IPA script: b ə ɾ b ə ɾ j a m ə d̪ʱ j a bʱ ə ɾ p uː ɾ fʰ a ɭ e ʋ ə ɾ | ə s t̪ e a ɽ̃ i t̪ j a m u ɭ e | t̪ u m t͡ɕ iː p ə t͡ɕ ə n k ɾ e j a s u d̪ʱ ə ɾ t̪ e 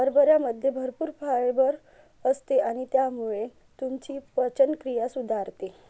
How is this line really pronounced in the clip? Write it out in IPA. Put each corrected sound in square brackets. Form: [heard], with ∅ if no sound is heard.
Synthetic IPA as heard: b ə ɾ b ə ɾ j a m ə d̪ʱ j [e] bʱ ə ɾ p uː ɾ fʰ a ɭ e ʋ ə ɾ | ə s t̪ e a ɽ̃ i t̪ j a m u ɭ e | t̪ u m t͡ɕ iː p ə t͡ɕ ə n k ɾ [i] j a s u d̪ʱ [a] ɾ t̪ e